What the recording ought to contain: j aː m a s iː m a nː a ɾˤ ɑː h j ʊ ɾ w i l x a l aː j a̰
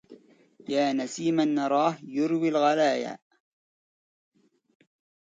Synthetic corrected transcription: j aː n a s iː m a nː ɑ ɾˤ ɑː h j ʊ ɾ w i l ɣ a l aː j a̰